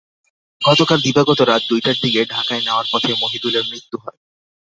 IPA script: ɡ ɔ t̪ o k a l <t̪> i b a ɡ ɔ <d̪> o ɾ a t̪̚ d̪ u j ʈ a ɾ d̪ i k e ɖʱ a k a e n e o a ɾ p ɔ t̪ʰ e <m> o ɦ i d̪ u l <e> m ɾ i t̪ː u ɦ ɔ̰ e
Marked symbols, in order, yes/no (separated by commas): no, no, yes, yes